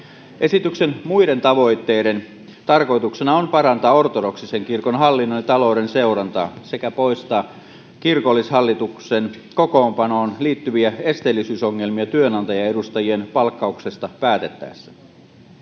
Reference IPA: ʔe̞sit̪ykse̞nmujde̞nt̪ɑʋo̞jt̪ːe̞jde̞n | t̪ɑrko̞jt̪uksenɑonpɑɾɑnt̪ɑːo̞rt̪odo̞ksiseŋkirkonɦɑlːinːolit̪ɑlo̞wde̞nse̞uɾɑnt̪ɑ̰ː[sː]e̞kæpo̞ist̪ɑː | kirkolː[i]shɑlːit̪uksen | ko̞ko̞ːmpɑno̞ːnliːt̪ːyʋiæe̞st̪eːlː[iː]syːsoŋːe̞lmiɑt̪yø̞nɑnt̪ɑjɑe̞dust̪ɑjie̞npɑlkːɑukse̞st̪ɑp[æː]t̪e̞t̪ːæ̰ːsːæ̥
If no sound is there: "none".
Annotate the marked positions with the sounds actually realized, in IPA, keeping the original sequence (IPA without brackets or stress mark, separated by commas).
s, i, i, æː